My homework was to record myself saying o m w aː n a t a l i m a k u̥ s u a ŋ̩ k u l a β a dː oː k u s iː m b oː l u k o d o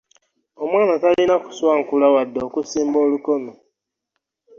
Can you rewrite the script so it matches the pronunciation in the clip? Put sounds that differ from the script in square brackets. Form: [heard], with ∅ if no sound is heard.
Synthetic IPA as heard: o m w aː n a t a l i [n] a k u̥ s [w] a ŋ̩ k u l a [w] a dː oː k u s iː m b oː l u k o [n] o